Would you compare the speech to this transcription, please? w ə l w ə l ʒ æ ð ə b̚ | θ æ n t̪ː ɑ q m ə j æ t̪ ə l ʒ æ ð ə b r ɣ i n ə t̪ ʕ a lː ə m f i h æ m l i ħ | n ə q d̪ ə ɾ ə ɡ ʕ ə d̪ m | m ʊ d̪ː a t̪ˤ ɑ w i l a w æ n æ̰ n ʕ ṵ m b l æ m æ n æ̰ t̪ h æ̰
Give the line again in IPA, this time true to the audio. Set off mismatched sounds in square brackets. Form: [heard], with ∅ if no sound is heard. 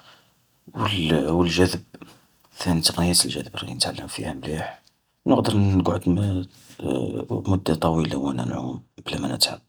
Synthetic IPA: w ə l w ə l ʒ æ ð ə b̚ | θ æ n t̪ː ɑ q [n] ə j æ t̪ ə l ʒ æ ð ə b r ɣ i n ə t̪ ʕ a lː ə m f i h æ m l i ħ | n ə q d̪ ə ɾ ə ɡ ʕ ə d̪ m | m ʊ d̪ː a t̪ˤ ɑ w i l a w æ n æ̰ n ʕ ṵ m b l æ m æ n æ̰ t̪ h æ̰